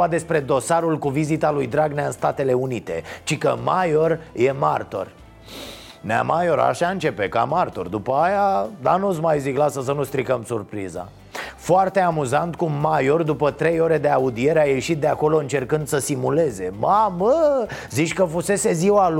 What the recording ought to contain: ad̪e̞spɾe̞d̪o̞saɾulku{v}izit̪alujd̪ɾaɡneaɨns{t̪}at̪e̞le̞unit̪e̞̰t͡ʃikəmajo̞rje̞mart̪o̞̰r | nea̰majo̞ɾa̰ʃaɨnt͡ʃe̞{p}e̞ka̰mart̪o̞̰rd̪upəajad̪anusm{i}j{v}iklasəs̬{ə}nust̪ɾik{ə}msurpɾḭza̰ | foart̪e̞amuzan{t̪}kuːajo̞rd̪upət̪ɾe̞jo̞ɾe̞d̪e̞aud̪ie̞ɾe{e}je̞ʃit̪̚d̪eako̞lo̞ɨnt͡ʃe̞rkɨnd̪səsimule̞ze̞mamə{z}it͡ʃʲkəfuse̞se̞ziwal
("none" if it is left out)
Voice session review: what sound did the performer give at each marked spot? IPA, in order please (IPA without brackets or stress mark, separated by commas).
v, t̪, p, a, z, ə, ə, t̪, a, z